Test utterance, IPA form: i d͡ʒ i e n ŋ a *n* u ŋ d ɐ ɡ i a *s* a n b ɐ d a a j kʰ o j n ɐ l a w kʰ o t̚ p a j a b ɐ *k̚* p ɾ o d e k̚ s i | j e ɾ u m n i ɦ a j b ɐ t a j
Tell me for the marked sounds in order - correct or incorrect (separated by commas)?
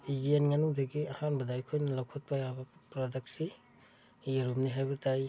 correct, incorrect, incorrect